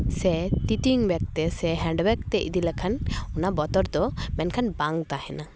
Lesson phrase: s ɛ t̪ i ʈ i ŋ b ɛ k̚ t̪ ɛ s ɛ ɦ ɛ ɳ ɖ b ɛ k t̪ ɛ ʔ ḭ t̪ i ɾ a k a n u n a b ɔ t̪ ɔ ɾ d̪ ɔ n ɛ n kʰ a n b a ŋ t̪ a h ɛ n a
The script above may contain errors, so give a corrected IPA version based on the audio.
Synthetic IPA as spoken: s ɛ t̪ i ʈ i ŋ b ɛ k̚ t̪ ɛ s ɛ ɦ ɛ ɳ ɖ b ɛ k t̪ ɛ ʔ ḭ d̪ i l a kʰ a n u n a b ɔ t̪ ɔ ɾ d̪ ɔ m ɛ n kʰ a n b a ŋ t̪ a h ɛ n a